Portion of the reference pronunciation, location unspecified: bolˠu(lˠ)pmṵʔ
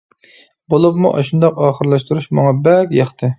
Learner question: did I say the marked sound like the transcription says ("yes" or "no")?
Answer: no